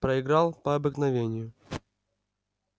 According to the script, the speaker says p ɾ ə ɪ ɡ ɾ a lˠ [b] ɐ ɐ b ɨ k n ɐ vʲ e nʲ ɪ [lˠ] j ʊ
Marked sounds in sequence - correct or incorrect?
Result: incorrect: p, incorrect: none

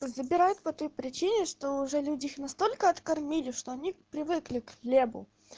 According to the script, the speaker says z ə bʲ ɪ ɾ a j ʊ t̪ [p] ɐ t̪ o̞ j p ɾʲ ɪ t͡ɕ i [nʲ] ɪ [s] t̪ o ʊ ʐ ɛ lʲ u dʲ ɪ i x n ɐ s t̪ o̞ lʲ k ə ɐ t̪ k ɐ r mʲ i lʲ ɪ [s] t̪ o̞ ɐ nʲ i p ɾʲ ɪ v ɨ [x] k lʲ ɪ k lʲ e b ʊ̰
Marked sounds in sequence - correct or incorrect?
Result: correct, correct, incorrect: ʂ, incorrect: ʂ, incorrect: none

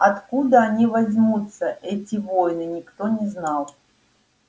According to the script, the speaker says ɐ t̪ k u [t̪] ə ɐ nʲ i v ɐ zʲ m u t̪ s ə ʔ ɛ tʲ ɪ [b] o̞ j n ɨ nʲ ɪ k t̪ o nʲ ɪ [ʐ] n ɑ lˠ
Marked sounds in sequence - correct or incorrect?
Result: incorrect: d̪, incorrect: v, incorrect: z

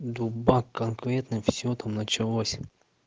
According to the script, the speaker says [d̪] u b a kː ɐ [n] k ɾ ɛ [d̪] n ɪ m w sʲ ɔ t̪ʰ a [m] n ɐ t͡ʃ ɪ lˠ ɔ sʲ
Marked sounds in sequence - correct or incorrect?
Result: correct, correct, incorrect: t̪, correct

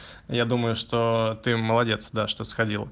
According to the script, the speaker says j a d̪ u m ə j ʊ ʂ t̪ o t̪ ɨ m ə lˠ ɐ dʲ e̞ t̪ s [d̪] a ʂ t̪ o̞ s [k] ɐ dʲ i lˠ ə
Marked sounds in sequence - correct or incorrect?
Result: correct, incorrect: x

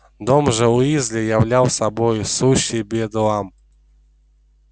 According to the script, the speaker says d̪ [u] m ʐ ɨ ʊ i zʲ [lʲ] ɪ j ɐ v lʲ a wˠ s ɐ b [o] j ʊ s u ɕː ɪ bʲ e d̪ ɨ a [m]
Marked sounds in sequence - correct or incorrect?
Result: incorrect: o, correct, correct, correct

